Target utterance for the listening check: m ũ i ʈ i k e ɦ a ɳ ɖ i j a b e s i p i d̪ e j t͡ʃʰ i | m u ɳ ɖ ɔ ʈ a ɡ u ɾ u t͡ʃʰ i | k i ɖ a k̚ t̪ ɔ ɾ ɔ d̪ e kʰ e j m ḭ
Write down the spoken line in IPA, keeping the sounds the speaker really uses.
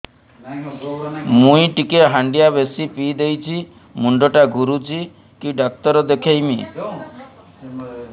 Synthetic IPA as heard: m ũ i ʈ i k e ɦ a ɳ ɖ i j a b e s i p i d̪ e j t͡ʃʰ i | m u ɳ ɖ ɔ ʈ a ɡ u ɾ u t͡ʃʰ i | k i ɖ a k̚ t̪ ɔ ɾ ɔ d̪ e kʰ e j m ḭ